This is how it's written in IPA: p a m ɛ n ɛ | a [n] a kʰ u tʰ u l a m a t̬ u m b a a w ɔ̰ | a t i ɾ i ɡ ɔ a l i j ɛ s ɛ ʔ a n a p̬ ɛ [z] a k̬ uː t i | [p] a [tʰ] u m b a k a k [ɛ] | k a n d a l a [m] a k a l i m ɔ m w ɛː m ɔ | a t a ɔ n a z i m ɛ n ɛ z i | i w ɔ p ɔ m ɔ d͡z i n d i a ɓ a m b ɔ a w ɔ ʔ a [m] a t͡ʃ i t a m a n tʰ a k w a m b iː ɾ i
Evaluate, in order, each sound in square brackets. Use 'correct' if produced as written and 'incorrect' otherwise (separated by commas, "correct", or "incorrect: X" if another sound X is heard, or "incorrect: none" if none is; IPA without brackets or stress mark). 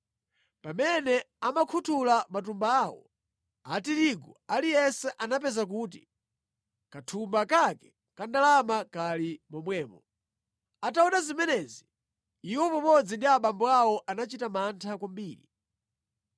incorrect: m, correct, incorrect: k, correct, correct, correct, incorrect: n